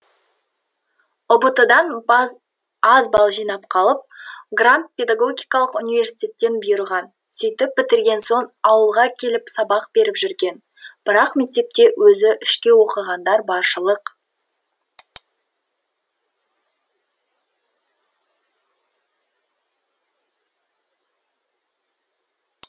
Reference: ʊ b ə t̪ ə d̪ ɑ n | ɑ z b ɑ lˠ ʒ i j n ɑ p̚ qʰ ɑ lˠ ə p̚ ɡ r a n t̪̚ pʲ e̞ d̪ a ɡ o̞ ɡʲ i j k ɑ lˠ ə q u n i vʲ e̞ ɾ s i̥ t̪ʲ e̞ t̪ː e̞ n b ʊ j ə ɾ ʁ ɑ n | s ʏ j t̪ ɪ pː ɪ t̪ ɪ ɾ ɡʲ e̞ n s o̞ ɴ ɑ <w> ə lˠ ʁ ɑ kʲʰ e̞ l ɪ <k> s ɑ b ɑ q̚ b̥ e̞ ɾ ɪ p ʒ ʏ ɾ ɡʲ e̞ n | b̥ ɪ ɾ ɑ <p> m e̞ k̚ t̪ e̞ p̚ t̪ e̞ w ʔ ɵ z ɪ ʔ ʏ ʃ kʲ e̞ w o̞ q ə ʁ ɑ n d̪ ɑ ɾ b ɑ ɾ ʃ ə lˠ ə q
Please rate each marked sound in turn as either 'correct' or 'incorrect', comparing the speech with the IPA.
correct, incorrect: p, incorrect: q

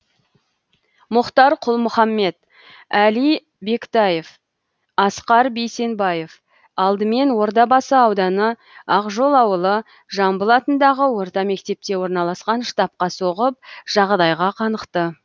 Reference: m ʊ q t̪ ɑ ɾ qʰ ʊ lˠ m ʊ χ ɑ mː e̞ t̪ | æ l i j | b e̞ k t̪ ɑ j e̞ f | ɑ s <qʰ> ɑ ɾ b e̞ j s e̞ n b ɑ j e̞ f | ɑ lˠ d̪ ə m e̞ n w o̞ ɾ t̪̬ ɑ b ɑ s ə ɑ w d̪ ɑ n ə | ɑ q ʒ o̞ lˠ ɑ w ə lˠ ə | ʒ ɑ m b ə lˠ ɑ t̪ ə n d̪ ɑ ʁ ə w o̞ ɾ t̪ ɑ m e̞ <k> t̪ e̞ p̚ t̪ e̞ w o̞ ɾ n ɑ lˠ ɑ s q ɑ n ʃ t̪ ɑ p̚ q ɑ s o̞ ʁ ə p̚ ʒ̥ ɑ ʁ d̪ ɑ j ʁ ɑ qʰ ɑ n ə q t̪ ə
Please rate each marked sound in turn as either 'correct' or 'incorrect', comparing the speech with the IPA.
incorrect: q, correct

